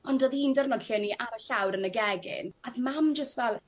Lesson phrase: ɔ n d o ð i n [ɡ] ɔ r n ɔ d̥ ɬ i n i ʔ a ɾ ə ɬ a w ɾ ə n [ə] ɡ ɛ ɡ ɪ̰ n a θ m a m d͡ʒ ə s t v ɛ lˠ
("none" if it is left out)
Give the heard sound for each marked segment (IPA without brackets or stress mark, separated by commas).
d, ə